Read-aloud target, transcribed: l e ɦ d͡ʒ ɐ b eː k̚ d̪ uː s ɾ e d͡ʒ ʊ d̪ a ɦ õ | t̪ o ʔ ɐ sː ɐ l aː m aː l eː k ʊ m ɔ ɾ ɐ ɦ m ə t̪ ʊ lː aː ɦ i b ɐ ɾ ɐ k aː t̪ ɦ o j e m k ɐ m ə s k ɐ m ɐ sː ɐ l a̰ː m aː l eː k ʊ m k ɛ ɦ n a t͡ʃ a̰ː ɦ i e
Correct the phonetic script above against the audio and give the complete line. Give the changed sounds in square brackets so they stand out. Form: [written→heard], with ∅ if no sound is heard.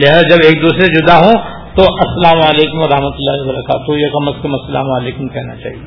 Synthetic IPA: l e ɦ d͡ʒ ɐ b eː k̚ d̪ uː s ɾ e d͡ʒ ʊ d̪ a ɦ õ | t̪ o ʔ ɐ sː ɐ l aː m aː l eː k ʊ m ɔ ɾ ɐ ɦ m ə t̪ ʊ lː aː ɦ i b ɐ ɾ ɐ k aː t̪ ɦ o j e [m→∅] k ɐ m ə s k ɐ m ɐ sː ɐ l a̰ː m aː l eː k ʊ m k ɛ ɦ n a t͡ʃ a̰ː ɦ i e